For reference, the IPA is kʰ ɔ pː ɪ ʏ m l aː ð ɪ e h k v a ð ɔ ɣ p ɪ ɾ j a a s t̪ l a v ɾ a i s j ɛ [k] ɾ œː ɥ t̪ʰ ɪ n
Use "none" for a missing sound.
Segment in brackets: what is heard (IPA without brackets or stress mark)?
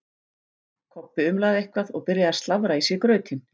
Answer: k